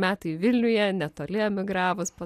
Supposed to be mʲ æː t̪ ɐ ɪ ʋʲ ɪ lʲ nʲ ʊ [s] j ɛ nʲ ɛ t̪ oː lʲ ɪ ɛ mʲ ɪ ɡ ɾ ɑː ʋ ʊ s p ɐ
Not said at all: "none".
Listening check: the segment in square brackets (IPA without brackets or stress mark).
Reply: none